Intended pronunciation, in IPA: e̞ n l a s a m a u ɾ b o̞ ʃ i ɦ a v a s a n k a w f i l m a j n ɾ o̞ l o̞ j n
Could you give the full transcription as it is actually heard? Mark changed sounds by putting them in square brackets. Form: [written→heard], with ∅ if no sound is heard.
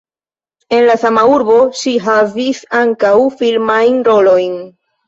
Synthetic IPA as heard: e̞ n l a s a m a u ɾ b o̞ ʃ i ɦ a v [a→i] s a [n→ŋ] k a w f i l m a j n ɾ o̞ l o̞ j n